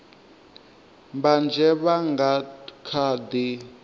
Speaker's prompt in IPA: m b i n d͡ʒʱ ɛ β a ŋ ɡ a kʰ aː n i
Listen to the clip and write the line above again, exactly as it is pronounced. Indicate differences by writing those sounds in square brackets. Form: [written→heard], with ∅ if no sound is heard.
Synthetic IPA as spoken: m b [i→a] n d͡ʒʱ ɛ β a ŋ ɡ a kʰ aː [n→d] i